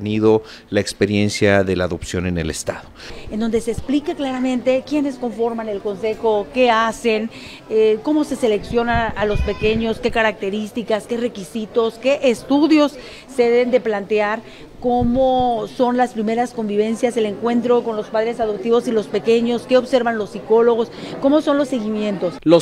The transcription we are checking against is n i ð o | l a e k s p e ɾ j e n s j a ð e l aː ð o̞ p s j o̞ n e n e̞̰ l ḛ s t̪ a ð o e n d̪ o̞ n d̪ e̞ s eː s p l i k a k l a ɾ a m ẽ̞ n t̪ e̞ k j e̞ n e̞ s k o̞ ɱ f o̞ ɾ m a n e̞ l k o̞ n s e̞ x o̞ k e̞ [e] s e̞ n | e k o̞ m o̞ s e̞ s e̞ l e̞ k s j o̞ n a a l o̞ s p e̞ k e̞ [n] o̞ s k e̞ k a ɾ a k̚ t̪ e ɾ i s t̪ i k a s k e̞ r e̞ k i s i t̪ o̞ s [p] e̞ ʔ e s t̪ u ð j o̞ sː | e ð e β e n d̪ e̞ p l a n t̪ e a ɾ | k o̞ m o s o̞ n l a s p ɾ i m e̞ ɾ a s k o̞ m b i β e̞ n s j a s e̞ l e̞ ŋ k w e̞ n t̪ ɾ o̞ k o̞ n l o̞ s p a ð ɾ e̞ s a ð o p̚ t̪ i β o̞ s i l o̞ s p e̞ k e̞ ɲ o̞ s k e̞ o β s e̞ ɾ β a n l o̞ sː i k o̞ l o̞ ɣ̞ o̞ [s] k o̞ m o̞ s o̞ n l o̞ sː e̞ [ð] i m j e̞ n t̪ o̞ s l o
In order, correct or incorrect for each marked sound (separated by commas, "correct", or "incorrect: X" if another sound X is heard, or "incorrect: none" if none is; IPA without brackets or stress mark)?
incorrect: a, incorrect: ɲ, incorrect: k, correct, incorrect: ɣ